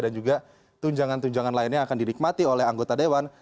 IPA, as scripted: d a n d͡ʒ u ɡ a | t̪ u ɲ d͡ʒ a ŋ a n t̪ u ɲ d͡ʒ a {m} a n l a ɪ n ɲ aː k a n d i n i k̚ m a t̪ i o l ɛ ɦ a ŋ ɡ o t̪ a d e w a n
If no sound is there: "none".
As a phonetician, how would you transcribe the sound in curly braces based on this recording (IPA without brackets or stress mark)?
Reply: ŋ